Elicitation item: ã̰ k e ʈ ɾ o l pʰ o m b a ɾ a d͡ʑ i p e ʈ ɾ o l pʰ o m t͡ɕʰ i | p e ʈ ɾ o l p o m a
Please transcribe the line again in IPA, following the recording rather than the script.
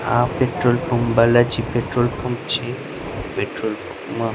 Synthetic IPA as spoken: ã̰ p e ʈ ɾ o l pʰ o m b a l a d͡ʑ i p e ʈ ɾ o l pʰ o m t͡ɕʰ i | p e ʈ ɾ o l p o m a